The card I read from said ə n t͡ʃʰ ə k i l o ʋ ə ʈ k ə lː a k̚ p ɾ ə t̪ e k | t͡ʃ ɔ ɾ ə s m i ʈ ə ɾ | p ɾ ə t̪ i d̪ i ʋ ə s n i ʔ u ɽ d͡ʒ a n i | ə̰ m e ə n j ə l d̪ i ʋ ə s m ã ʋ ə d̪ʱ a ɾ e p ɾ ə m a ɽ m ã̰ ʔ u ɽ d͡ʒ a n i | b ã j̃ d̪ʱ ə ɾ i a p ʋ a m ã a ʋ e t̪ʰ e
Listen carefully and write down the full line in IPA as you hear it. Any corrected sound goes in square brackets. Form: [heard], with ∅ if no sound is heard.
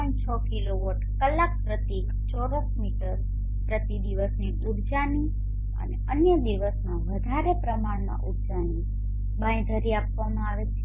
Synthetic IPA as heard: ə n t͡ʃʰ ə k i l o ʋ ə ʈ k ə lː a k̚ p ɾ ə t̪ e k | t͡ʃ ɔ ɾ ə s m i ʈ ə ɾ | p ɾ ə t̪ i d̪ i ʋ ə s n i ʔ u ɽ d͡ʒ a n i | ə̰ [n] e ə n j ə [∅] d̪ i ʋ ə s m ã ʋ ə d̪ʱ a ɾ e p ɾ ə m a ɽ m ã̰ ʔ u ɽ d͡ʒ a n i | b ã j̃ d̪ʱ ə ɾ i a p ʋ a m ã a ʋ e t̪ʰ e

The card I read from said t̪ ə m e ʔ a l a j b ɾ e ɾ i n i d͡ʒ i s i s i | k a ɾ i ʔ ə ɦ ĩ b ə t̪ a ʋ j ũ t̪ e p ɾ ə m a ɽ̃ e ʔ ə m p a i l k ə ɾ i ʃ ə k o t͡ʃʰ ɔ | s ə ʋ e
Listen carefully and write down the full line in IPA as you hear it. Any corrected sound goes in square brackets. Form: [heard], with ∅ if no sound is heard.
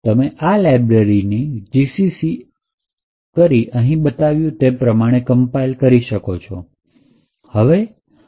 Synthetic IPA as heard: t̪ ə m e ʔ a l a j b ɾ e ɾ i n i d͡ʒ i s i s i | k [ə] ɾ i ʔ ə ɦ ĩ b ə t̪ a ʋ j ũ t̪ e p ɾ ə m a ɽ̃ e [k] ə m p a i l k ə ɾ i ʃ ə k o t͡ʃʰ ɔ | [h] ə ʋ e

